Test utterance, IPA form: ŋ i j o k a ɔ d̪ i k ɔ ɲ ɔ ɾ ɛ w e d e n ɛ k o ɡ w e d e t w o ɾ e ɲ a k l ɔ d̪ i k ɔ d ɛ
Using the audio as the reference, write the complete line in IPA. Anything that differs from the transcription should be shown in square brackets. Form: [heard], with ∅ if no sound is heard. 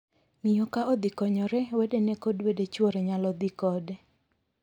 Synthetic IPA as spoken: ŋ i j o k a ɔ d̪ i k ɔ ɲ ɔ ɾ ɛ w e d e n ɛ k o [d] w e d e [t͡ʃ] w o ɾ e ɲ a [∅] l ɔ d̪ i k ɔ d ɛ